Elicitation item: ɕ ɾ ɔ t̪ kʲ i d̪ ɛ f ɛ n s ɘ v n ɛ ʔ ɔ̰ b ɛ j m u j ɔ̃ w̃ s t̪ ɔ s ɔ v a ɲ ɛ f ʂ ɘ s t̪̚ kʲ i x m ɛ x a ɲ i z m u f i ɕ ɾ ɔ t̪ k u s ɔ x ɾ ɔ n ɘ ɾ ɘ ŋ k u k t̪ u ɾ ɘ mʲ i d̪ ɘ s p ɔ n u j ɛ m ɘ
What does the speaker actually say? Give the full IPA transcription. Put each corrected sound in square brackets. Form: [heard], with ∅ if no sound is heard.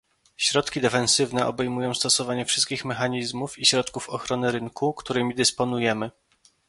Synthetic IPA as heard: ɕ ɾ ɔ t̪ kʲ i d̪ ɛ f ɛ n s ɘ v n ɛ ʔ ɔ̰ b ɛ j m u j ɔ̃ w̃ s t̪ ɔ s ɔ v a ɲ ɛ f ʂ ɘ s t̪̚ kʲ i x m ɛ x a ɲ i z m u f i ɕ ɾ ɔ t̪ k u [f] ɔ x ɾ ɔ n ɘ ɾ ɘ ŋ k u k t̪ u ɾ ɘ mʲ i d̪ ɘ s p ɔ n u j ɛ m ɘ